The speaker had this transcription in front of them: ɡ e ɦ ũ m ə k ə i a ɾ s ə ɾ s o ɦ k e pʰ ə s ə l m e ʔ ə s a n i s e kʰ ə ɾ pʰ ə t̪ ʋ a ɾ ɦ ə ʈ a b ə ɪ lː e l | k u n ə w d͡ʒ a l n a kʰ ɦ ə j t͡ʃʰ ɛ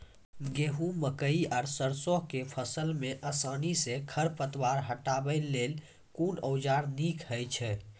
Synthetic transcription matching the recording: ɡ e ɦ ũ m ə k ə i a ɾ s ə ɾ s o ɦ k e pʰ ə s ə l m e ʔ ə s a n i s e kʰ ə ɾ p ə t̪ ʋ a ɾ ɦ ə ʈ a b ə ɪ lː e l | k u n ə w d͡ʒ a ɾ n i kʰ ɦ ə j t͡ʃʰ ɛ